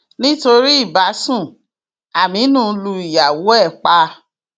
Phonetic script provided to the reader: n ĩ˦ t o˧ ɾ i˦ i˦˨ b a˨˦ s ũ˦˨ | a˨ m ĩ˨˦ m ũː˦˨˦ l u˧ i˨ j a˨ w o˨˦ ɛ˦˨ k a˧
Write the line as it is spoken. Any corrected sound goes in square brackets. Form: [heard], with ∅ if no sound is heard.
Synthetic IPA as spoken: n ĩ˦ t o˧ ɾ i˦ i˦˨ b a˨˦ s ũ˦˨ | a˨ m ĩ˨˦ [n] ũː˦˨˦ l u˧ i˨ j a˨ w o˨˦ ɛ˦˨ [k͡p] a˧